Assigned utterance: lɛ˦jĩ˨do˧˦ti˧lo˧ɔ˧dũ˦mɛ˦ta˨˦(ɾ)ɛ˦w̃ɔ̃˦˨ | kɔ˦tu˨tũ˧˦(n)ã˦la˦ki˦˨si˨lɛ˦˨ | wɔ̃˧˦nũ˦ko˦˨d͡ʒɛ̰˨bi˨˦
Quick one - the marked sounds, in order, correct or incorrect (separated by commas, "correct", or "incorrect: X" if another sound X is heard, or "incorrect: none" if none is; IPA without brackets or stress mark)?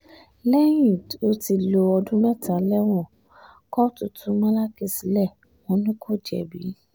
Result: incorrect: l, incorrect: m